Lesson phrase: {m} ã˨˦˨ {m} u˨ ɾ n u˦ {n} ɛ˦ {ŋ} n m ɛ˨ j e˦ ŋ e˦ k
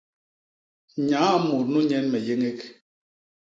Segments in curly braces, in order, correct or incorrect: incorrect: ɲ, correct, incorrect: ɲ, incorrect: none

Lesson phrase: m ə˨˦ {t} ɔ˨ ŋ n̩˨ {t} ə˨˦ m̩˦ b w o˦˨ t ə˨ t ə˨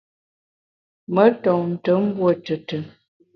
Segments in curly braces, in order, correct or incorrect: correct, correct

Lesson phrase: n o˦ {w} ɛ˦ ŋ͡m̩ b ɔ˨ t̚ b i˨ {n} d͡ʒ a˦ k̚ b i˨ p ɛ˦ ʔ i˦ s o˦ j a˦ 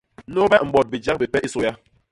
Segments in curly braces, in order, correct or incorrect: incorrect: b, incorrect: none

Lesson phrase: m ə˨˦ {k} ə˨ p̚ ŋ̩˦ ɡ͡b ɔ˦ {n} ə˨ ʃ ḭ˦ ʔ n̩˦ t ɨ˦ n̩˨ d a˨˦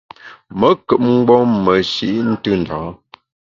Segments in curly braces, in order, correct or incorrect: correct, incorrect: m

